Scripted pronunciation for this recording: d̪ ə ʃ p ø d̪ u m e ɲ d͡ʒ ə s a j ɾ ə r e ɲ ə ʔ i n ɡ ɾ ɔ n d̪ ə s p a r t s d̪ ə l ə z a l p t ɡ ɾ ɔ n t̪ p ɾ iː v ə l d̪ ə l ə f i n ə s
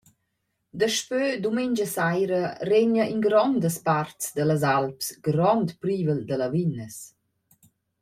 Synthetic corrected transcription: d̪ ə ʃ p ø d̪ u m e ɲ d͡ʒ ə s a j ɾ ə r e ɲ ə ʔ i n ɡ ɾ ɔ n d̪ ə s p a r t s d̪ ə l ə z a l p s ɡ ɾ ɔ n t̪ p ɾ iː v ə l d̪ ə l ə v i n ə s